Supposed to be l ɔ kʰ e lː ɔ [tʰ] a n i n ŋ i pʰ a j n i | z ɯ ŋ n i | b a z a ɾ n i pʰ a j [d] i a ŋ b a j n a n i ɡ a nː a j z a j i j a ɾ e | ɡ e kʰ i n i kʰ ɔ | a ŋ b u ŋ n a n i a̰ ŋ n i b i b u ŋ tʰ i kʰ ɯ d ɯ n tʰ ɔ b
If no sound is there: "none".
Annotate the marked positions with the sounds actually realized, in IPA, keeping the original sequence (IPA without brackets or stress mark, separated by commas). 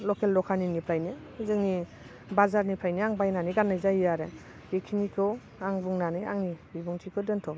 kʰ, n